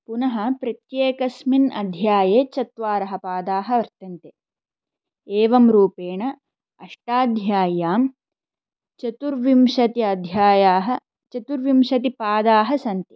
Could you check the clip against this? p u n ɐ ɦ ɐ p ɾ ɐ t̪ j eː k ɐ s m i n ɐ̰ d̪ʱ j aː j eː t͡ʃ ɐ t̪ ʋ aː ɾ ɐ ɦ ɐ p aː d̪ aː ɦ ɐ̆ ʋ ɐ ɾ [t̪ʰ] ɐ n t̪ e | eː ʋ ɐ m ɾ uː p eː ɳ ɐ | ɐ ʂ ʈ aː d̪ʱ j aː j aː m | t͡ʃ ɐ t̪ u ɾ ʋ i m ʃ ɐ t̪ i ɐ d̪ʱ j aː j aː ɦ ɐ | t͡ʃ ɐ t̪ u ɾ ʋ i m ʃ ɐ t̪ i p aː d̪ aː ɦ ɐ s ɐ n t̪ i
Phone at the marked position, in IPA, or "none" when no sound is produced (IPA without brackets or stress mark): t̪